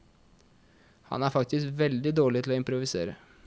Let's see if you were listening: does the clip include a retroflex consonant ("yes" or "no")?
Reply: yes